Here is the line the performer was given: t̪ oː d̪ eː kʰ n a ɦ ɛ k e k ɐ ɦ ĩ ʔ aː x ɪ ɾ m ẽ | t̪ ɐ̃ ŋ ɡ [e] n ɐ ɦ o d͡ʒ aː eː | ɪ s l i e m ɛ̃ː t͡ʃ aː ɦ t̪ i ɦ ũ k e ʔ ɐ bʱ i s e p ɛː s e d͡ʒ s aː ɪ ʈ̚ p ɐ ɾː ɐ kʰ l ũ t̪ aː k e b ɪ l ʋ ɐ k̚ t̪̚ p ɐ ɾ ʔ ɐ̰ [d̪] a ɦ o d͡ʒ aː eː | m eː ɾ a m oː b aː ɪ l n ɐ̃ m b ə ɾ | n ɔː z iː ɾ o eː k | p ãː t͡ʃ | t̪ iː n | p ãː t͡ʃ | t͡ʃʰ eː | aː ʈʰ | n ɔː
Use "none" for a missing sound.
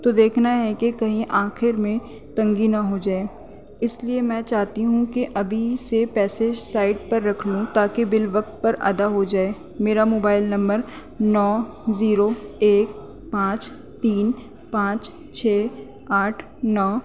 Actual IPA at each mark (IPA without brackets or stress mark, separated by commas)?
i, d̪